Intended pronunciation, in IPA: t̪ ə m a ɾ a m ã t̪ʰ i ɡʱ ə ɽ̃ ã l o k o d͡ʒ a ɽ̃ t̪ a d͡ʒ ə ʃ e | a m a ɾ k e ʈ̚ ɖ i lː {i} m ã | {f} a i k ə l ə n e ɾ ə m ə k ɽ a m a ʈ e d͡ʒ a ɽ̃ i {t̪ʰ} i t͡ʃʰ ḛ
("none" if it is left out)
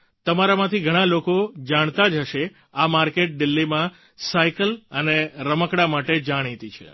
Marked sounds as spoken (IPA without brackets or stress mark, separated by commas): i, s, t̪